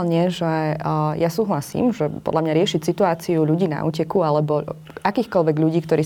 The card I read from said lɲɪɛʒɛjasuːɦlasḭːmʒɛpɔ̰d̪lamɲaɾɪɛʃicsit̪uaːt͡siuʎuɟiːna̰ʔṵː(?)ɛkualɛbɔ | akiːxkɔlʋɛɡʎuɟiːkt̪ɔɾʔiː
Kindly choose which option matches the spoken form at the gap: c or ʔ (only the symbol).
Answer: c